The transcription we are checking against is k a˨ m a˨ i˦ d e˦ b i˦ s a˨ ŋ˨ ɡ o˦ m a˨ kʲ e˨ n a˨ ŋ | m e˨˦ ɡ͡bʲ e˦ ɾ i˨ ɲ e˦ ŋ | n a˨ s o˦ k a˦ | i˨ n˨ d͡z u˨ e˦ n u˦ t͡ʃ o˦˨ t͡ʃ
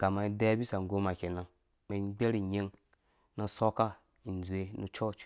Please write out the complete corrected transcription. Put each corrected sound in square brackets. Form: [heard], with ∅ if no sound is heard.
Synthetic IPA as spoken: k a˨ m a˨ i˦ d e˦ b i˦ s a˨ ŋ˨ ɡ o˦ m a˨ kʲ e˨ n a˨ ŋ | m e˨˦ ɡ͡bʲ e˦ ɾ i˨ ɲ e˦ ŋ | n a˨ s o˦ k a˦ | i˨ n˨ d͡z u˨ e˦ n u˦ t͡ʃ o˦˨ t͡ʃ